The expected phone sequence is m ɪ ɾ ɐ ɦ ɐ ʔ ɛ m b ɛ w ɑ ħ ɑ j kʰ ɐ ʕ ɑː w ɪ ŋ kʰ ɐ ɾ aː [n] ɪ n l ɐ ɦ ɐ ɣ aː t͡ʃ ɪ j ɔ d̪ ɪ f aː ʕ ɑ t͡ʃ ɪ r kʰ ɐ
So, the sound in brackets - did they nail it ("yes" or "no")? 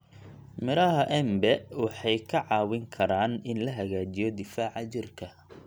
yes